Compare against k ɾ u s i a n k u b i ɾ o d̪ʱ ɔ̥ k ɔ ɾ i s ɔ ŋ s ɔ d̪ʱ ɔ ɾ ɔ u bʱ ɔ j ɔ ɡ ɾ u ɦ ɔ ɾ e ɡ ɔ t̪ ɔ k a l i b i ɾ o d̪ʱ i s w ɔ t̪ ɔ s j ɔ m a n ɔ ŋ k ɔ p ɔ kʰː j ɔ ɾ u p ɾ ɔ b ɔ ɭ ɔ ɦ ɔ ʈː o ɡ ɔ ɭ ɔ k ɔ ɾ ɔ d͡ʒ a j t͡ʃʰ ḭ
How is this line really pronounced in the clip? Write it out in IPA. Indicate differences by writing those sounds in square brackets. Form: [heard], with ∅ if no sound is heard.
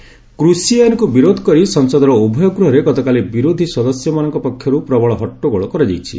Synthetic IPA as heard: k ɾ u s i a n k u b i ɾ o d̪ʱ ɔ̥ k ɔ ɾ i s ɔ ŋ s ɔ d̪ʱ ɔ ɾ ɔ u bʱ ɔ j ɔ ɡ ɾ u ɦ ɔ ɾ e ɡ ɔ t̪ ɔ k a l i b i ɾ o d̪ʱ i s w ɔ [d̪] ɔ s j ɔ m a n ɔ ŋ k ɔ p ɔ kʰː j ɔ ɾ u p ɾ ɔ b ɔ ɭ ɔ ɦ ɔ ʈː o ɡ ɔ ɭ ɔ k ɔ ɾ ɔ d͡ʒ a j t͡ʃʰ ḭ